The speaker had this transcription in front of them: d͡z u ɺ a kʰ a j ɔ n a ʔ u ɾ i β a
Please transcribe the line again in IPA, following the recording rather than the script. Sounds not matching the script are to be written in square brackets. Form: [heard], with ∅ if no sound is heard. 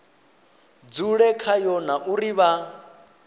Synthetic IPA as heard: d͡z u ɺ [ɛ] kʰ a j ɔ n a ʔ u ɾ i β a